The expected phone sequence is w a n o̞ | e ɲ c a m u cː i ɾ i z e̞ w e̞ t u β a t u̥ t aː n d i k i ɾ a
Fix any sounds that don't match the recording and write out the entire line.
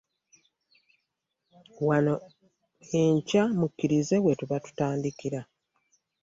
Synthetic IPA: w a n o̞ | e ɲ c a m u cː i ɾ i z e̞ w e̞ t u β a t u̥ t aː n d i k i ɾ a